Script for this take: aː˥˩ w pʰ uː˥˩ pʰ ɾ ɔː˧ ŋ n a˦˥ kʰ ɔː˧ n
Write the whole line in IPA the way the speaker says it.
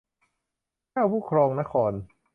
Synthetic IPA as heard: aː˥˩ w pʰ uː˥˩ kʰ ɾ ɔː˧ ŋ n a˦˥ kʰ ɔː˧ n